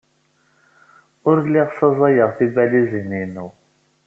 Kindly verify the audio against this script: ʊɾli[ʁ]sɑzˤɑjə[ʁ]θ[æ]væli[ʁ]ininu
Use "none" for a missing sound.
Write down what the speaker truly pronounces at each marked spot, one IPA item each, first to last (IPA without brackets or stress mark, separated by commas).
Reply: ʁ, ʁ, i, z